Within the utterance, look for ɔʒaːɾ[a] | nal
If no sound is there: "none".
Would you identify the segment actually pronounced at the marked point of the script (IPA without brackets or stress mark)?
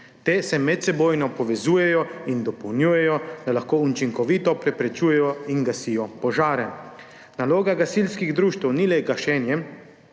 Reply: ɛ